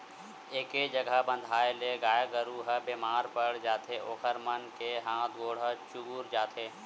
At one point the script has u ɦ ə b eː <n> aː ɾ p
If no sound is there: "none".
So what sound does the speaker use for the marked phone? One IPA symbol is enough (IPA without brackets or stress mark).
m